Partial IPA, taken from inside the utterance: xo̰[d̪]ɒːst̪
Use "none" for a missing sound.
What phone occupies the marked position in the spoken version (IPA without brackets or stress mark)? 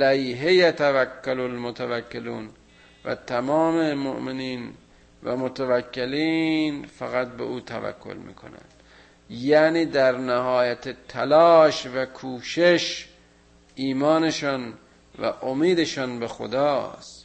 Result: d̪